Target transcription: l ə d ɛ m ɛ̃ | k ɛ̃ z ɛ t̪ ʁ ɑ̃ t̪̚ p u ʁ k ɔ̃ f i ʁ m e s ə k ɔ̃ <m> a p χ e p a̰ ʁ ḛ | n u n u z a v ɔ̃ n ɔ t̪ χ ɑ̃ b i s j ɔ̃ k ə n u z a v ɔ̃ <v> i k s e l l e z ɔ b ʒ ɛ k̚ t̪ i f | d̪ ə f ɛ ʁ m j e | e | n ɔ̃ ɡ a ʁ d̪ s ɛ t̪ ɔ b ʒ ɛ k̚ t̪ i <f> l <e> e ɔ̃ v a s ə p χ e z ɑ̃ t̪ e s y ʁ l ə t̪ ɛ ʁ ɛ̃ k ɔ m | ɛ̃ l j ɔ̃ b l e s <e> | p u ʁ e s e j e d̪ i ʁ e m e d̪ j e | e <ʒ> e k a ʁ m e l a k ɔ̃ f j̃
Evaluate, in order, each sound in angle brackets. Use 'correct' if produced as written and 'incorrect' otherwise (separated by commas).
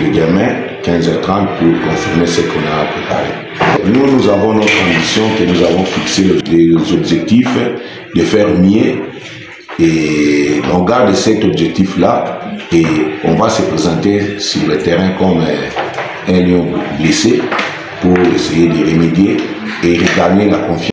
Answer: incorrect, incorrect, correct, incorrect, correct, incorrect